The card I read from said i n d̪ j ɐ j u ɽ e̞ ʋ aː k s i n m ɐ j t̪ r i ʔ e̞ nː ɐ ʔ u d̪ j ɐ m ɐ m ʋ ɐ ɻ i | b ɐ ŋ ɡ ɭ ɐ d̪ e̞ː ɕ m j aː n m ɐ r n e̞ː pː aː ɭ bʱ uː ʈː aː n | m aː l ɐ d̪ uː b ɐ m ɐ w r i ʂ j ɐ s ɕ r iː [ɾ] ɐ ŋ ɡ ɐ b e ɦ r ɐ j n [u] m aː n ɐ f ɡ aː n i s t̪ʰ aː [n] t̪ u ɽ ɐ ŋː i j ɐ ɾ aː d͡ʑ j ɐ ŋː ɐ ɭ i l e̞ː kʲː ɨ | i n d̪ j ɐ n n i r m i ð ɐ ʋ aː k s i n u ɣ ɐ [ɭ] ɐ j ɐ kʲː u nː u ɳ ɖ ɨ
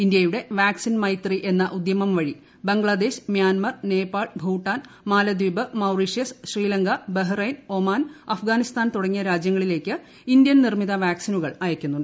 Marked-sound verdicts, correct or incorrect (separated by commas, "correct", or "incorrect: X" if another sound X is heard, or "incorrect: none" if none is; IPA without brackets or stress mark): incorrect: l, incorrect: o, correct, correct